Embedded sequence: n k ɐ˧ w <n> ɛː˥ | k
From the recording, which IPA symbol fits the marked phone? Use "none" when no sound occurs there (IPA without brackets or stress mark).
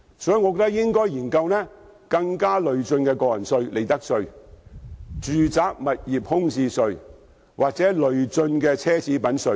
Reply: n